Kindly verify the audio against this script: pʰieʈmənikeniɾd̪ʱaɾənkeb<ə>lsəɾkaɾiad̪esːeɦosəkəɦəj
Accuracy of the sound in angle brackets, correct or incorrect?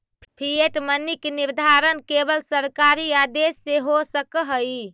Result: correct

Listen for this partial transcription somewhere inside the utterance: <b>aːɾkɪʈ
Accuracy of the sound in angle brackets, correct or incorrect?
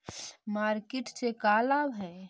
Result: incorrect: m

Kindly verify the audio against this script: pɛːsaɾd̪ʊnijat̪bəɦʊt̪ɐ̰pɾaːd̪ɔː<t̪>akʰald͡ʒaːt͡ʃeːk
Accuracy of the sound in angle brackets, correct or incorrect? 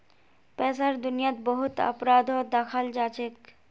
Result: incorrect: d̪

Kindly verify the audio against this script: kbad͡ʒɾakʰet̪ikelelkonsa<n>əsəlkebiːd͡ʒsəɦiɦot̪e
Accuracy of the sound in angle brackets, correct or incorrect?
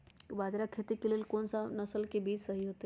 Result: correct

